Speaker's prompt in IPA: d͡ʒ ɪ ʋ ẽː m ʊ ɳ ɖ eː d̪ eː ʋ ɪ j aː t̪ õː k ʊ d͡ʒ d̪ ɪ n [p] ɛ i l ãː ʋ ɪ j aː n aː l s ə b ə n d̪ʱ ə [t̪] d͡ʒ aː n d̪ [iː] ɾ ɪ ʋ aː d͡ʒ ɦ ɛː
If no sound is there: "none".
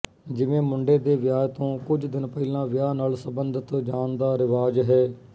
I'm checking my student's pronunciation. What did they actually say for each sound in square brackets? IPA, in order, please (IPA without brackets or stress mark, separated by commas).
p, t̪, aː